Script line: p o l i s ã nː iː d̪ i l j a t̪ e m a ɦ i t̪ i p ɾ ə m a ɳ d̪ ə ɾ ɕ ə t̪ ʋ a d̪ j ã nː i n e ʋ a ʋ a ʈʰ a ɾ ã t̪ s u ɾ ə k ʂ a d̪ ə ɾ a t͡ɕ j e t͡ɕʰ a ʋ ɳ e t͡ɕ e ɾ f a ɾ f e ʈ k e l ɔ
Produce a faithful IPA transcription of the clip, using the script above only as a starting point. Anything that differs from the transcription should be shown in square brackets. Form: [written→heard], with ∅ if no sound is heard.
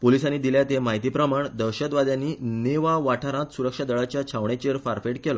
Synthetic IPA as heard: p o l i s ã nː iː d̪ i l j a t̪ e m a ɦ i t̪ i p ɾ ə m a ɳ d̪ ə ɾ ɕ ə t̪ ʋ a d̪ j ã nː i n e ʋ a ʋ a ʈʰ a ɾ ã t̪ s u ɾ ə k ʂ a d̪ ə [ɾ→ɭ] a t͡ɕ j [e→a] t͡ɕʰ a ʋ ɳ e t͡ɕ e ɾ f a ɾ f e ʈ k e l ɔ